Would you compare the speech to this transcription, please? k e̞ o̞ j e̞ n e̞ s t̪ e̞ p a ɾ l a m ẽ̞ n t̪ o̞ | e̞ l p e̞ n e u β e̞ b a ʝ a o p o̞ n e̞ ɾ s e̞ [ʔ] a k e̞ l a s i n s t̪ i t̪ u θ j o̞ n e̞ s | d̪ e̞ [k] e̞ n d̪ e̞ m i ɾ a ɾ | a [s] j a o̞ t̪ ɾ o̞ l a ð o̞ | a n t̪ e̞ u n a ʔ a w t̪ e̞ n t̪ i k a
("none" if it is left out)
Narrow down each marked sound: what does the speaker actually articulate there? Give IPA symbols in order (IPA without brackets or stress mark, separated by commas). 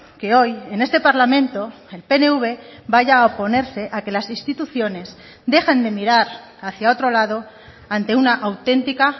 ʔ, x, θ